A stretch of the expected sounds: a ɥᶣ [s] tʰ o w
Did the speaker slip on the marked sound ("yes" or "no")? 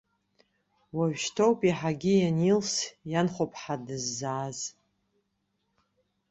yes